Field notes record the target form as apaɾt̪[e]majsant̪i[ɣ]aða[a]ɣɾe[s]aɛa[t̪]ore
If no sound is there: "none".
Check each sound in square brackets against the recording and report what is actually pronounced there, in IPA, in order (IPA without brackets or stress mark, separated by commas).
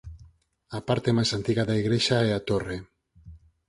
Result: e, ɣ, i, ʃ, t̪